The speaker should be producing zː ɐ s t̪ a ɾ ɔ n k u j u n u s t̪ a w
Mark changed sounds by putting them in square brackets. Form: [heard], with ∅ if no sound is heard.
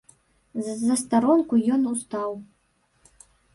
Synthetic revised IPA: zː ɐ s t̪ a ɾ ɔ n k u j [ɔ] n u s t̪ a w